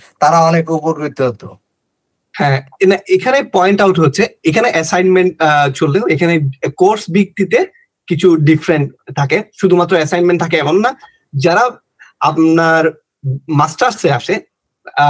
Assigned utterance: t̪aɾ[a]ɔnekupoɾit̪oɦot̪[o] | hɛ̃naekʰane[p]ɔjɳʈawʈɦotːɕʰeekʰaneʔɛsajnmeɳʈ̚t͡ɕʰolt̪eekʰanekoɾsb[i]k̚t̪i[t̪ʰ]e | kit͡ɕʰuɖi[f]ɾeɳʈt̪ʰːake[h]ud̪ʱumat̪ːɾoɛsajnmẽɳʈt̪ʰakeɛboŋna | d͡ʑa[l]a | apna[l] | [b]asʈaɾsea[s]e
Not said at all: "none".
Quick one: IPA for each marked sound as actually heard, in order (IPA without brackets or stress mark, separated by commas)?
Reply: a, o, p, i, t̪, f, ʃ, ɾ, ɾ, m, ʃ